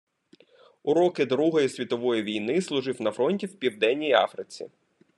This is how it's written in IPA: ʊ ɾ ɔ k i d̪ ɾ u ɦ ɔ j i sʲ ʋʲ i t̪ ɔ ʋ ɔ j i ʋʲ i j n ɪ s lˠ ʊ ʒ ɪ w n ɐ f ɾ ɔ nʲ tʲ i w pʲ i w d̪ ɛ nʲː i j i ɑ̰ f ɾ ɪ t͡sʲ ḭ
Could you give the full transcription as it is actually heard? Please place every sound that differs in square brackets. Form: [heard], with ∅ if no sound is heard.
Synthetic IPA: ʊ ɾ ɔ k [ɪ] d̪ ɾ u ɦ ɔ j i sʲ ʋʲ i t̪ ɔ ʋ ɔ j i ʋʲ i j n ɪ s lˠ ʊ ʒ ɪ w n ɐ f ɾ ɔ nʲ tʲ i w pʲ i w d̪ ɛ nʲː i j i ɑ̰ f ɾ ɪ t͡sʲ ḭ